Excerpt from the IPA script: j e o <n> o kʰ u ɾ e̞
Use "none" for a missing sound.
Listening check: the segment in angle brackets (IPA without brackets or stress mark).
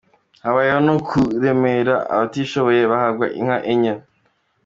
n